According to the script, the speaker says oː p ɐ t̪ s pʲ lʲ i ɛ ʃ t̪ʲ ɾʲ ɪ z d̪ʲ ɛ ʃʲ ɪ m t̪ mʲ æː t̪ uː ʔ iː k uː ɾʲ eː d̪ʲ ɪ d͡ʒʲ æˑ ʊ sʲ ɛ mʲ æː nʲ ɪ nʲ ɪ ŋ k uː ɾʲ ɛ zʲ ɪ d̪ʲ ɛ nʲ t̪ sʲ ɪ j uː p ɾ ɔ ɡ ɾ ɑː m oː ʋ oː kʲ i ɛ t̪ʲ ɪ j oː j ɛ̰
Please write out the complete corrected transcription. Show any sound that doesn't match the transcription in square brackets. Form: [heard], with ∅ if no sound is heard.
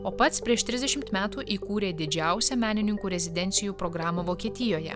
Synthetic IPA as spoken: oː p ɐ t̪ s pʲ [ɾʲ] i ɛ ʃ t̪ʲ ɾʲ ɪ z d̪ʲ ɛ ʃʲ ɪ m t̪ mʲ æː t̪ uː ʔ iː k uː ɾʲ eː d̪ʲ ɪ d͡ʒʲ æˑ ʊ sʲ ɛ mʲ æː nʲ ɪ nʲ ɪ ŋ k uː ɾʲ ɛ zʲ ɪ d̪ʲ ɛ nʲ t̪ sʲ ɪ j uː p ɾ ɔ ɡ ɾ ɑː m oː ʋ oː kʲ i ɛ t̪ʲ ɪ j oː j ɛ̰

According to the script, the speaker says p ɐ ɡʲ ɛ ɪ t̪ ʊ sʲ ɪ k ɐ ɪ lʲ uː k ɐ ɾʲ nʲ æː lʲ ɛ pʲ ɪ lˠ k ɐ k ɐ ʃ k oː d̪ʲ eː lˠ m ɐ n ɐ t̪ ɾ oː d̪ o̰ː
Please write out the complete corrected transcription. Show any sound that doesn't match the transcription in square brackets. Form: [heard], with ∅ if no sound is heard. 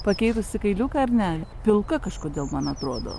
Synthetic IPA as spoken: p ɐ [kʲ] ɛ ɪ t̪ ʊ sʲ ɪ k ɐ ɪ lʲ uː k ɐ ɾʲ nʲ æː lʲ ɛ pʲ ɪ lˠ k ɐ k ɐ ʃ k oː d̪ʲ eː lˠ m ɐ n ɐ t̪ ɾ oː d̪ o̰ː

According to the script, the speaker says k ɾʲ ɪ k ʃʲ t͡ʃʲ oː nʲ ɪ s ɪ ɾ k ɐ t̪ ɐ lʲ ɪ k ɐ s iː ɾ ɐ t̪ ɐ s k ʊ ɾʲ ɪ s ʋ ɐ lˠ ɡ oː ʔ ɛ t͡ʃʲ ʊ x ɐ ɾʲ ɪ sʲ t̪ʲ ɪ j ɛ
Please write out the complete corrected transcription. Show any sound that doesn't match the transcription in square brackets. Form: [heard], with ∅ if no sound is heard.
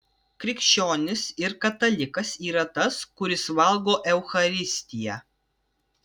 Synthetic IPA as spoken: k ɾʲ ɪ k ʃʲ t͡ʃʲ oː nʲ ɪ s ɪ ɾ k ɐ t̪ ɐ lʲ ɪ k ɐ s iː ɾ ɐ t̪ ɐ s k ʊ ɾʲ ɪ s ʋ ɐ lˠ ɡ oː ʔ ɛ [∅] ʊ x ɐ ɾʲ ɪ sʲ t̪ʲ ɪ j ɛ

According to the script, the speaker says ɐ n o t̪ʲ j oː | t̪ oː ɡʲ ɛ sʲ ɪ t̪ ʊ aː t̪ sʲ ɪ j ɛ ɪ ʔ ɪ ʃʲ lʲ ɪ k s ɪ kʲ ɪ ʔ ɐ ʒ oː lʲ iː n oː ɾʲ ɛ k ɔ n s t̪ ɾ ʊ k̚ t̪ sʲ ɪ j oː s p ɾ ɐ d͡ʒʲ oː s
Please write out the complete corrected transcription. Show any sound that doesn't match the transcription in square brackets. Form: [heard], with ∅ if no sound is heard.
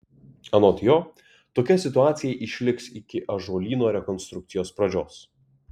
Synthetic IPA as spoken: ɐ n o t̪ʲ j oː | t̪ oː [kʲ] ɛ sʲ ɪ t̪ ʊ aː t̪ sʲ ɪ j ɛ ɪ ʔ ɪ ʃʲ lʲ ɪ k s ɪ kʲ ɪ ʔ ɐ ʒ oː lʲ iː n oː ɾʲ ɛ k ɔ n s t̪ ɾ ʊ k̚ t̪ sʲ ɪ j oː s p ɾ ɐ d͡ʒʲ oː s

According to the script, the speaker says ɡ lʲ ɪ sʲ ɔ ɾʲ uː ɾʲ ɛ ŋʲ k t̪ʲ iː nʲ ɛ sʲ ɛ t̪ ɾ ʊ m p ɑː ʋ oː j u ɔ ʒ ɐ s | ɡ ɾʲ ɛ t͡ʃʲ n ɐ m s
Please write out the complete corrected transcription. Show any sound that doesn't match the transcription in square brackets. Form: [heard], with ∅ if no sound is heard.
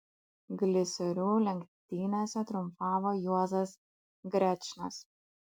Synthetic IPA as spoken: ɡ lʲ ɪ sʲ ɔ ɾʲ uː [lʲ] ɛ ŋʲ k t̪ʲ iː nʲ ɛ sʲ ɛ t̪ ɾ ʊ m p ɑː ʋ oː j u ɔ [z] ɐ s | ɡ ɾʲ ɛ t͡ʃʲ n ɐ [∅] s

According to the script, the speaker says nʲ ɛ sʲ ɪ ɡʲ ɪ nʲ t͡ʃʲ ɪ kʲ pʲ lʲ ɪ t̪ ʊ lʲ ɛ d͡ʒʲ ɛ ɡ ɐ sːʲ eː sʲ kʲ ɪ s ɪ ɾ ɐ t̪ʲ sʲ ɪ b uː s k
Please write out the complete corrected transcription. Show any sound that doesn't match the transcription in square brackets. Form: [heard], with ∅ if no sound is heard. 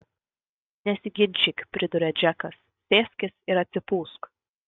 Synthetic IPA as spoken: nʲ ɛ sʲ ɪ ɡʲ ɪ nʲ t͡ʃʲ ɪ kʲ pʲ [ɾʲ] ɪ [d̪] ʊ [ɾʲ] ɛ d͡ʒʲ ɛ [k] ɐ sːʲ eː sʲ kʲ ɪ s ɪ ɾ ɐ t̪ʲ sʲ ɪ [p] uː s k

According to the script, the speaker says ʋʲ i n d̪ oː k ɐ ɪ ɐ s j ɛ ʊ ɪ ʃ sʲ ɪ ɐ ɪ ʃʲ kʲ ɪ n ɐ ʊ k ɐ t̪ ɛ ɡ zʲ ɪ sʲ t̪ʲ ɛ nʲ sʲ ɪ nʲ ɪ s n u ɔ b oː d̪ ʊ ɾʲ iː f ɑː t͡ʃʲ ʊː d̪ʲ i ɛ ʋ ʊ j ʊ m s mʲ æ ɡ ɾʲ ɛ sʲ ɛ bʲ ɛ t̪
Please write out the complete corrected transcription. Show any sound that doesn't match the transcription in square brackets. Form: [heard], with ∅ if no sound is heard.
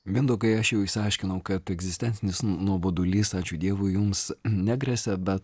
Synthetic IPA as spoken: ʋʲ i n d̪ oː k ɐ ɪ ɐ [ʃ] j ɛ ʊ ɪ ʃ sʲ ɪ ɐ ɪ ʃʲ kʲ ɪ n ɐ ʊ k ɐ t̪ ɛ ɡ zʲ ɪ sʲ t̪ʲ ɛ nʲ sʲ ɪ nʲ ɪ s n u ɔ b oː d̪ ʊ [lʲ] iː [s] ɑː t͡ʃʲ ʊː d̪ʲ i ɛ ʋ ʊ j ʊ m s [nʲ] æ ɡ ɾʲ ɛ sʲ ɛ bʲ ɛ t̪

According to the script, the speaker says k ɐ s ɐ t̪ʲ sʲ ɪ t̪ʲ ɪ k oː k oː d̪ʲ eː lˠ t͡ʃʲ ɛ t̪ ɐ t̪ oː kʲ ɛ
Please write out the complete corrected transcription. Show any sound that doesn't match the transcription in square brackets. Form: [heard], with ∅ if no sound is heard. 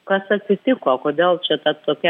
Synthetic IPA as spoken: k ɐ s ɐ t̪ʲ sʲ ɪ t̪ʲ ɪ k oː k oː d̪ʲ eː lˠ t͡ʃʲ ɛ t̪ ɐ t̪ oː kʲ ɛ

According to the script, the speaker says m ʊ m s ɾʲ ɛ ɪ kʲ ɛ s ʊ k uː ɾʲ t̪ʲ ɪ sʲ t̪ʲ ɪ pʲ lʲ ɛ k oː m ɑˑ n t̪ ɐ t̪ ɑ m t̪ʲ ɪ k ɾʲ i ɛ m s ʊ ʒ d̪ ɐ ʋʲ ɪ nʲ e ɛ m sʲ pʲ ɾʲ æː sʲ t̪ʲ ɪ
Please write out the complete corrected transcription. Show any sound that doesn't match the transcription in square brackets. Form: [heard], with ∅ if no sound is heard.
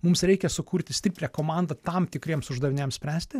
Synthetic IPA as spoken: m ʊ m s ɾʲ ɛ ɪ kʲ ɛ s ʊ k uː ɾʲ t̪ʲ ɪ sʲ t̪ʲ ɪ pʲ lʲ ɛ k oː m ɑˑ n [d̪] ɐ t̪ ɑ m t̪ʲ ɪ k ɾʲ i ɛ m s ʊ ʒ d̪ ɐ ʋʲ ɪ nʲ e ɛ m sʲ pʲ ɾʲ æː sʲ t̪ʲ ɪ

